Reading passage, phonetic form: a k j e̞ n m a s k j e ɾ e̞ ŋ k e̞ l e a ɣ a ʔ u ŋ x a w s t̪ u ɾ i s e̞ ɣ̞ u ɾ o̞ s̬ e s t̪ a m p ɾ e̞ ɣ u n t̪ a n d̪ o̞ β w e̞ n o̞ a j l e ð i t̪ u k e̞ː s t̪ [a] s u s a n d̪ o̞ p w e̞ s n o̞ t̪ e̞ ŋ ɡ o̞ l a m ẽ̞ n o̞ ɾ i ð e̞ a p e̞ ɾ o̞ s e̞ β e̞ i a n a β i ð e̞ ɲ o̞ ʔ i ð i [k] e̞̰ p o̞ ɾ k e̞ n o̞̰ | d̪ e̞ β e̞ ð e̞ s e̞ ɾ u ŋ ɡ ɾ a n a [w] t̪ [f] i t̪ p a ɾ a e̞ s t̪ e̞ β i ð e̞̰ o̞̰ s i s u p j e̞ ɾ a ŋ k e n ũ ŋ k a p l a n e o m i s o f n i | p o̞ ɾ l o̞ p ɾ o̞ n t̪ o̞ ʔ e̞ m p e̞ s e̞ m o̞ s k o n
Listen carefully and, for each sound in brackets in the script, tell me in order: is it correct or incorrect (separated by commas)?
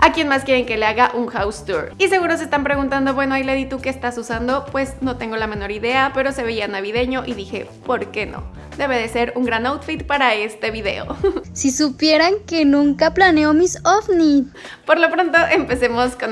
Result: correct, incorrect, correct, correct